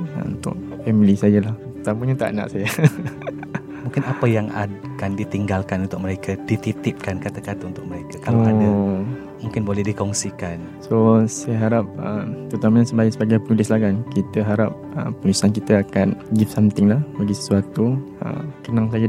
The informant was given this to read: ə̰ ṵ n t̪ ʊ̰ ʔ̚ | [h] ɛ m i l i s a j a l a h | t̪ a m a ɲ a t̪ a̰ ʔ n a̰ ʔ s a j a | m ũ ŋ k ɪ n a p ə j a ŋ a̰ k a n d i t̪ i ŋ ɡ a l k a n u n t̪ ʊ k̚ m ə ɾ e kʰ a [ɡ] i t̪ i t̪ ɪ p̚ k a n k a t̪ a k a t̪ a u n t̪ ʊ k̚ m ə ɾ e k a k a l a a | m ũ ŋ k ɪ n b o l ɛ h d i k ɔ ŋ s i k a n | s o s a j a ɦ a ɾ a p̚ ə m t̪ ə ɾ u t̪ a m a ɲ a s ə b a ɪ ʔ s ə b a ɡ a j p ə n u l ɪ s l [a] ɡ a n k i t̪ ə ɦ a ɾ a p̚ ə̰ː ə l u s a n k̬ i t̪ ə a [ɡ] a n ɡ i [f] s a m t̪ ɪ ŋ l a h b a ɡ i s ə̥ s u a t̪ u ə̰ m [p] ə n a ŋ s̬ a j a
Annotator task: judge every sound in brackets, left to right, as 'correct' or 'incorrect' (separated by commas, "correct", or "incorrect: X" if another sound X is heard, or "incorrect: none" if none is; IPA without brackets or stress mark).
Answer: incorrect: f, incorrect: d, correct, incorrect: k, correct, incorrect: k